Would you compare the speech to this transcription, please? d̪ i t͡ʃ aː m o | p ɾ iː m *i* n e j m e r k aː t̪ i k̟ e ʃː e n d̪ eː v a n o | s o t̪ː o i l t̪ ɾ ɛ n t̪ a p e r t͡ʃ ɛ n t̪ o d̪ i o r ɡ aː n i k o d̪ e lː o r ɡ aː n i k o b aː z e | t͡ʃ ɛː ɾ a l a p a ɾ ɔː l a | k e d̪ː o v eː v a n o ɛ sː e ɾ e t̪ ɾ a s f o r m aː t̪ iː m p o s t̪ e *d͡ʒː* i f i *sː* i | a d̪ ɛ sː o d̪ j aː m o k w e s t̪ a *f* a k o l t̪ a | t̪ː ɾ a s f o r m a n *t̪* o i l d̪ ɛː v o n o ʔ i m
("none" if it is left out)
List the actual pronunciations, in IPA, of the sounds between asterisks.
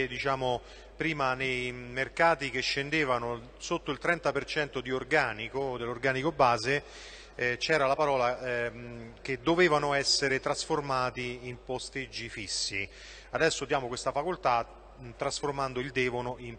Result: a, d͡ʒː, sː, f, d̪

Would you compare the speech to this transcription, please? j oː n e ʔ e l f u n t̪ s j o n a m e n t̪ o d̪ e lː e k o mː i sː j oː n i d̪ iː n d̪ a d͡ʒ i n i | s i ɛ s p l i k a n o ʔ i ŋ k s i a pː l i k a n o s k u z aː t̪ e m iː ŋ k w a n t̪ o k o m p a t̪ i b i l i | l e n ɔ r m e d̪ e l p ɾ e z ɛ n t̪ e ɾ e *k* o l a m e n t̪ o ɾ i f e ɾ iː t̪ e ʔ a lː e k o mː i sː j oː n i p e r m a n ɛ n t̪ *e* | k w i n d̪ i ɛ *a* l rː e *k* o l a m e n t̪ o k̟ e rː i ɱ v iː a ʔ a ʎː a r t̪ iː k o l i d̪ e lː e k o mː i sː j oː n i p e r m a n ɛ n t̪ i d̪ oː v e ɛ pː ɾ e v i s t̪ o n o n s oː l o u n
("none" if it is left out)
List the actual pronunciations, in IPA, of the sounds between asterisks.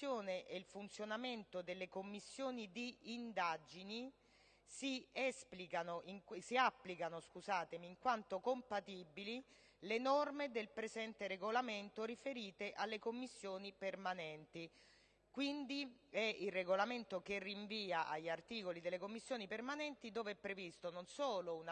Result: ɡ, i, i, ɡ

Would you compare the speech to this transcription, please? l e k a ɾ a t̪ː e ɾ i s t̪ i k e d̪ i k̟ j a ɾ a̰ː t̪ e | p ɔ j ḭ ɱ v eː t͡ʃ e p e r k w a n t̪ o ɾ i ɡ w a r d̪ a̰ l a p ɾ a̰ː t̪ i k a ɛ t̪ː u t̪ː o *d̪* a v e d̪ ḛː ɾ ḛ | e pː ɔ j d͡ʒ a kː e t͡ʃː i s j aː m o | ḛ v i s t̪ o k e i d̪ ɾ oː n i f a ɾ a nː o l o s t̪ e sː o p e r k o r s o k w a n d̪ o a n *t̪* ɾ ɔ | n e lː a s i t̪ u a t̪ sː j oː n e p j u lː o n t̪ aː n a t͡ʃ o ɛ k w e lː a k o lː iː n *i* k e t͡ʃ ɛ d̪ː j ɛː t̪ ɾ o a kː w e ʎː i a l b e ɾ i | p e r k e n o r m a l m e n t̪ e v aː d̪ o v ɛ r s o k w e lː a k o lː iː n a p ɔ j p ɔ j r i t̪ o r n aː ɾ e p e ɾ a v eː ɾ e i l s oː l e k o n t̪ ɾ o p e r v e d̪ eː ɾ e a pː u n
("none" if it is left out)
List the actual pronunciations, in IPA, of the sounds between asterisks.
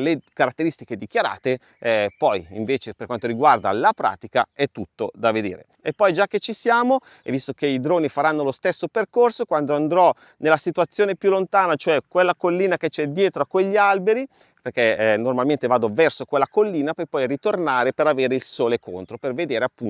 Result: d̪, d̪, a

